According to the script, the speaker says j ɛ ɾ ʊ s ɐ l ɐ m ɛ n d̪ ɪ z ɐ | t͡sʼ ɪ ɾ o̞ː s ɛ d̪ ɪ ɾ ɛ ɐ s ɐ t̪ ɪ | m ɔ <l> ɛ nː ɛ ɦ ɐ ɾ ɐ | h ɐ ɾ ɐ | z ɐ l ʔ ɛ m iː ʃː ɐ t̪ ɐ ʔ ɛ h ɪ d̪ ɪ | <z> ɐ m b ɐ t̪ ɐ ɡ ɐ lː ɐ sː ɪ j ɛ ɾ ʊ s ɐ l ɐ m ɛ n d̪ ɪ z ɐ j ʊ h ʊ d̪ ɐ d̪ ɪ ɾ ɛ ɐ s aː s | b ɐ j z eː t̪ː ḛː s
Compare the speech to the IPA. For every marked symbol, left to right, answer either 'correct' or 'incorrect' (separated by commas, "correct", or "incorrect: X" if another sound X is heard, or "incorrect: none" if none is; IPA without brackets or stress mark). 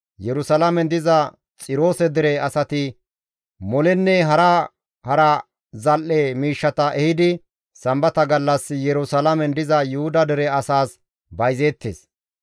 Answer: correct, incorrect: s